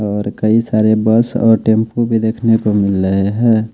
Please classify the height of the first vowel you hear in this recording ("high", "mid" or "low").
mid